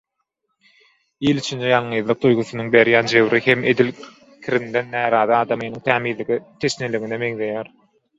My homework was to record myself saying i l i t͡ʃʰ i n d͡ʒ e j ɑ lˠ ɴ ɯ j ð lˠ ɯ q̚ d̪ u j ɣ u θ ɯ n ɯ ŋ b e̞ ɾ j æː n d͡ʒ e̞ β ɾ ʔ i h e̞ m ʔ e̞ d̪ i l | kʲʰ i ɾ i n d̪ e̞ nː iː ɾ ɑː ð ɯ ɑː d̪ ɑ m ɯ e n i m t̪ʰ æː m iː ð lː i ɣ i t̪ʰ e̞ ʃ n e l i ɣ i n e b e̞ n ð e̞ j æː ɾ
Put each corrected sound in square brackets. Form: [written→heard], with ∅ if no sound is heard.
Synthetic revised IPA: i l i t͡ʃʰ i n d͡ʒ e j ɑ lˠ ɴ ɯ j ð lˠ ɯ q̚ d̪ u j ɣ u θ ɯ n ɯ ŋ b e̞ ɾ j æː n d͡ʒ e̞ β ɾ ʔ i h e̞ m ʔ e̞ d̪ i l | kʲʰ i ɾ i n d̪ e̞ nː [iː→æː] ɾ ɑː ð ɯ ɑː d̪ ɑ m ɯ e n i [m→ŋ] t̪ʰ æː m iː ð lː i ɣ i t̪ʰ e̞ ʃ n e l i ɣ i n e [b→m] e̞ [n→ŋ] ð e̞ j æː ɾ